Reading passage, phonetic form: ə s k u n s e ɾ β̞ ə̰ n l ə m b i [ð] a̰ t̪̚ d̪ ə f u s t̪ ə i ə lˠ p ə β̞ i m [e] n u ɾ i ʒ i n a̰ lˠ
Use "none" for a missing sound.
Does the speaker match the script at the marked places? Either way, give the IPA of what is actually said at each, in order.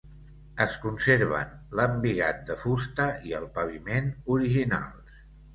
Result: ɣ, e

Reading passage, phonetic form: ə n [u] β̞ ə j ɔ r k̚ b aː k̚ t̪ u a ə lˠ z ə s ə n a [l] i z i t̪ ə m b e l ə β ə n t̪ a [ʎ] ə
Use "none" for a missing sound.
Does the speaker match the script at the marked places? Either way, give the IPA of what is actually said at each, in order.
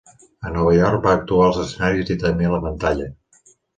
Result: ɔ, ɾ, ʎ

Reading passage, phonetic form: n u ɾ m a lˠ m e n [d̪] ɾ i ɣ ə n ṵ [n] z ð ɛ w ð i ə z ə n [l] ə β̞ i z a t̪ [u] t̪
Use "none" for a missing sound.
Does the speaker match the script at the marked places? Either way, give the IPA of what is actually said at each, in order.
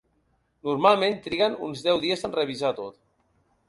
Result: t̪, n, r, o

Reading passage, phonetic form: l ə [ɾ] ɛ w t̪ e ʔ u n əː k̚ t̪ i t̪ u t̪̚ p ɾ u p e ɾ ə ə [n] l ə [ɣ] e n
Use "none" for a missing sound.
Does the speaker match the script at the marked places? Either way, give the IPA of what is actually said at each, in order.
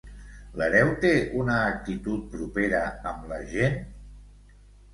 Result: ɾ, m, ʒ

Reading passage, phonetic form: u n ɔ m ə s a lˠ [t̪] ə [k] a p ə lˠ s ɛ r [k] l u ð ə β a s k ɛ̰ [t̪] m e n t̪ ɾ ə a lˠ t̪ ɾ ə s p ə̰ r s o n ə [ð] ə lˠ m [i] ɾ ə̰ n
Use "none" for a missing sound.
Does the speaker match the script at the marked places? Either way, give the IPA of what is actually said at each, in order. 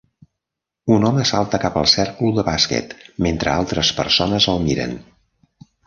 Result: t̪, k, k, t̪, z, i

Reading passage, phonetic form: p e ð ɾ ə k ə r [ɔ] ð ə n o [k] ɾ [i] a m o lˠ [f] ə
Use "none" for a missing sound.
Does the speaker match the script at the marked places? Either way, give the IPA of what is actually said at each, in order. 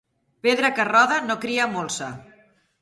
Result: ɔ, k, i, s

